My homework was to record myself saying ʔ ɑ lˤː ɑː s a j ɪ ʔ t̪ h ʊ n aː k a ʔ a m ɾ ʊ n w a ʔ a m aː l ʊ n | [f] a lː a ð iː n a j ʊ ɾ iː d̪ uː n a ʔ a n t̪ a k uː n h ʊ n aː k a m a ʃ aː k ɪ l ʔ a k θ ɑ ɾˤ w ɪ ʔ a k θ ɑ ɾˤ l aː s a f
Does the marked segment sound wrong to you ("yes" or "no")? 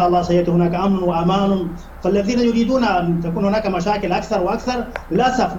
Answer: no